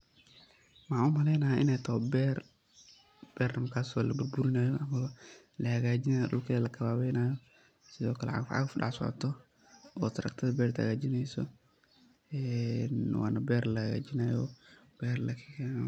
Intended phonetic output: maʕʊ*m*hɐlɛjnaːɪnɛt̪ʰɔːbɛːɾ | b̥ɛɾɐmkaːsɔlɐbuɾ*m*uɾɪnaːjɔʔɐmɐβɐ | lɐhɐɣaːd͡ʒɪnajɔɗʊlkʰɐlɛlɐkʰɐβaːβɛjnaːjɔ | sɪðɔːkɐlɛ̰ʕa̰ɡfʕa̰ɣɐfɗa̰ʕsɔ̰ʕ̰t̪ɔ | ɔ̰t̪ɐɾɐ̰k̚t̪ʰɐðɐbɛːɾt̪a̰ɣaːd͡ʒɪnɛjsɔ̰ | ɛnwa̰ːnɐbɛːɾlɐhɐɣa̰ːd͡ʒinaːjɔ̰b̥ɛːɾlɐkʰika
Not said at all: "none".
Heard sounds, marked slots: m, b

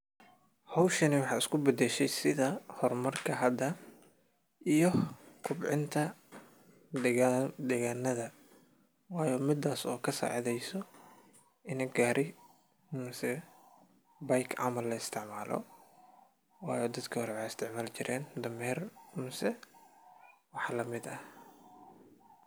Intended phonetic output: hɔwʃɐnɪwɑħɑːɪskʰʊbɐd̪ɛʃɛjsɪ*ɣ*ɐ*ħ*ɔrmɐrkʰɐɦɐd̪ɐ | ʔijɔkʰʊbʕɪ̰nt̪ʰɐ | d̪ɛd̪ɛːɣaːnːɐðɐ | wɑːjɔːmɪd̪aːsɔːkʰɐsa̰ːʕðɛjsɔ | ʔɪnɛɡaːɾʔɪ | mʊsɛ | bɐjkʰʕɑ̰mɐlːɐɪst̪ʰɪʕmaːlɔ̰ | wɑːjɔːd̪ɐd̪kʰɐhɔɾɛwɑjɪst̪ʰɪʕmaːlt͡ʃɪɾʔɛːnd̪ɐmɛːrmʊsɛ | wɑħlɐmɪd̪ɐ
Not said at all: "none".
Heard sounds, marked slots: ð, h

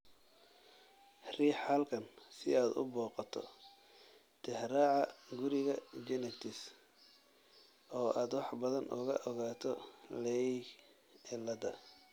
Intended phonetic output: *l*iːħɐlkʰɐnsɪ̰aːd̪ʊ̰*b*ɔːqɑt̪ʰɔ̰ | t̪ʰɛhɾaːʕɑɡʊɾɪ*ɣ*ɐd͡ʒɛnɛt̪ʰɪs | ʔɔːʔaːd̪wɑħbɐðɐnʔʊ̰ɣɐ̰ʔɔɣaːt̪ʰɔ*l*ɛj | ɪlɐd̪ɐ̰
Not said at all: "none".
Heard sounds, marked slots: r, b, ɣ, l

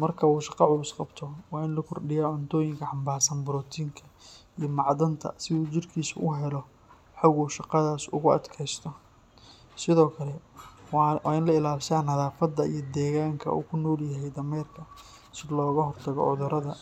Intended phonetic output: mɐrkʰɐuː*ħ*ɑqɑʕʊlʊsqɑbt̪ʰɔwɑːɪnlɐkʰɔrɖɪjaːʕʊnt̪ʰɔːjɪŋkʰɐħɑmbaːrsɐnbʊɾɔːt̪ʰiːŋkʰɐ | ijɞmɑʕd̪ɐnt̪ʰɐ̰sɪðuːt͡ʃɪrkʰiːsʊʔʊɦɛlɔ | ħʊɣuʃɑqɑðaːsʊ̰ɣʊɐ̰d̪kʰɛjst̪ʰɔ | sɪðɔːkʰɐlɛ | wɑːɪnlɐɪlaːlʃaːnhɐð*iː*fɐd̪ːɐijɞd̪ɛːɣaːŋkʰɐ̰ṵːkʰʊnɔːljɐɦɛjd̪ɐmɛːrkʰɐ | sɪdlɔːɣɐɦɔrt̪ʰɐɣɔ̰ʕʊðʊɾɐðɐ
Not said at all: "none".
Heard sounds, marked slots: ʃ, aː

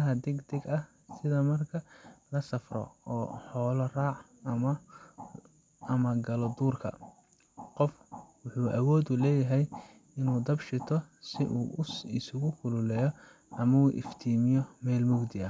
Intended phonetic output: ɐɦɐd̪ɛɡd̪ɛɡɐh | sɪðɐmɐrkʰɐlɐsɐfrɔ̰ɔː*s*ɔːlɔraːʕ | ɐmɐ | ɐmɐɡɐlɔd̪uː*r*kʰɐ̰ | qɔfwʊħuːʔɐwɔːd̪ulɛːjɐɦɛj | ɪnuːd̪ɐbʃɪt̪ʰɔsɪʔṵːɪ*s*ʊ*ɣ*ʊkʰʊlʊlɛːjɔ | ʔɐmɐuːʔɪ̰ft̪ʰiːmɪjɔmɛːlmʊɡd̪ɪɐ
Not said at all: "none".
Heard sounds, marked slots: ħ, r, s, ɣ

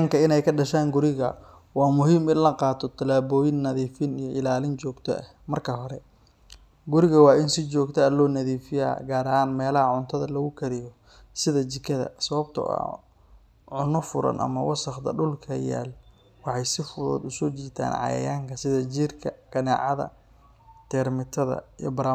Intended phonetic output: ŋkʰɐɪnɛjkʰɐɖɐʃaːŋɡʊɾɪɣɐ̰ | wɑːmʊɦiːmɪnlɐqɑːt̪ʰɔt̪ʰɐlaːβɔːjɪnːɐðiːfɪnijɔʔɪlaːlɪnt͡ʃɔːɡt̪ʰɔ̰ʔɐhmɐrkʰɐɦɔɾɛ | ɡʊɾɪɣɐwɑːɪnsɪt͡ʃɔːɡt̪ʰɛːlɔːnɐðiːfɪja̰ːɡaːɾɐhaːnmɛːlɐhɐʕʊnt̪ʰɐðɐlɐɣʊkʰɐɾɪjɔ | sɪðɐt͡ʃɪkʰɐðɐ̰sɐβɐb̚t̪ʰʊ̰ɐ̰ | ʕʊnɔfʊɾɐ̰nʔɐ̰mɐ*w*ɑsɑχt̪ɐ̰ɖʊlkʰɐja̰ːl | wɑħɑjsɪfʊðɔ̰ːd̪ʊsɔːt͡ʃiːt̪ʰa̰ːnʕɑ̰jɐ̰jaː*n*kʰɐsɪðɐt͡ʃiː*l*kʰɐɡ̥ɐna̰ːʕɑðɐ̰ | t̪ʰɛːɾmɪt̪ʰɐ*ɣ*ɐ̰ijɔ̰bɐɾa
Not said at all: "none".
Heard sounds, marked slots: w, ŋ, r, ð

